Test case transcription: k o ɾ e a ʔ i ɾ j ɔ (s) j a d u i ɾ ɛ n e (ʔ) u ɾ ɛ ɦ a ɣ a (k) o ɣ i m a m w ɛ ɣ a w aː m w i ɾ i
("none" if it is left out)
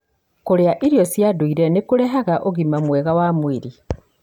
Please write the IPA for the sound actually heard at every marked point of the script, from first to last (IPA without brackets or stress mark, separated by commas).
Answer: s, k, ʔ